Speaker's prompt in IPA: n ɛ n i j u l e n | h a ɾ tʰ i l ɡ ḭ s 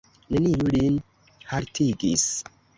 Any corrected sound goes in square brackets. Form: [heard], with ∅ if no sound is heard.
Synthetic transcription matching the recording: n [e] n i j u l [i] n | h a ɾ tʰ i [∅] ɡ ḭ s